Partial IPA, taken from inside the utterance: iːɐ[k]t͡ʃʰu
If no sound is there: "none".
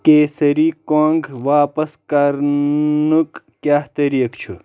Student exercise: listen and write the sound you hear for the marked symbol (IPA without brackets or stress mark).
k